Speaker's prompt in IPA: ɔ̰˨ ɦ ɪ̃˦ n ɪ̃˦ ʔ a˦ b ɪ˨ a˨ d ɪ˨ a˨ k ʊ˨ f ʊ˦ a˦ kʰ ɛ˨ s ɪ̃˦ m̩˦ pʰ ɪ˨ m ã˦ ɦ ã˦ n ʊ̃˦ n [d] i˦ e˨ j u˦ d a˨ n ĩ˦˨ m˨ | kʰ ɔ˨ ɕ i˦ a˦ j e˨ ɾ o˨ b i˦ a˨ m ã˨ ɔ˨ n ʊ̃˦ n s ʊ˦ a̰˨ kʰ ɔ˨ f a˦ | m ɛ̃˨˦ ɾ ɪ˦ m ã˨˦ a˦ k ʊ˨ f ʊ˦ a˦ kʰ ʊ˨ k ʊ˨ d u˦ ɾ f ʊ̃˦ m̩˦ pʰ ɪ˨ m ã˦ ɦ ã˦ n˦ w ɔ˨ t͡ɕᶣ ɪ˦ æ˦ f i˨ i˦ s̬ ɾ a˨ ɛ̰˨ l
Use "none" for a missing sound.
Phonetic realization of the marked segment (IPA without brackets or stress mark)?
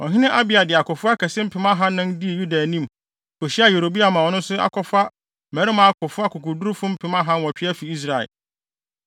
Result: d